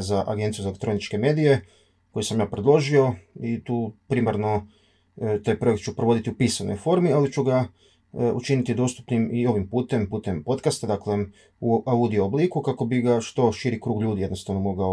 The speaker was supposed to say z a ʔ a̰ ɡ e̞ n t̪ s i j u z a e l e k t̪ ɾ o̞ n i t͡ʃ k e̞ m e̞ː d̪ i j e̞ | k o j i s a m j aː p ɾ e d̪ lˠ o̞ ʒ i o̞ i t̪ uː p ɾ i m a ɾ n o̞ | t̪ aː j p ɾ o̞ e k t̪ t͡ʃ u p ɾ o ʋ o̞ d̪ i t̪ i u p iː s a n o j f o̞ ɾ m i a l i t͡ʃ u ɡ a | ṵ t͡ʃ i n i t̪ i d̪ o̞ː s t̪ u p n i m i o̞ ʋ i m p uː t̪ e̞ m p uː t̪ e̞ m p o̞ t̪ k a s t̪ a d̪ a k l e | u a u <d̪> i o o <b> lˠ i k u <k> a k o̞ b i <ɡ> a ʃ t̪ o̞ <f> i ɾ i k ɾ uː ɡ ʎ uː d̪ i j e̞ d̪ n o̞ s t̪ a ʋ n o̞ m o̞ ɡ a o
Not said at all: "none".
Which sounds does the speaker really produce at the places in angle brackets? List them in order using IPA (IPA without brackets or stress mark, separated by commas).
d̪, b, k, ɡ, ʃ